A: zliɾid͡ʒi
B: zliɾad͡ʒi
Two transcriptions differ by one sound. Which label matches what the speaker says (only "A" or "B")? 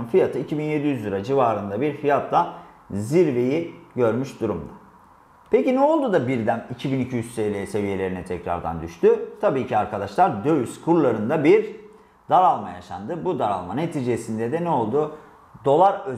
B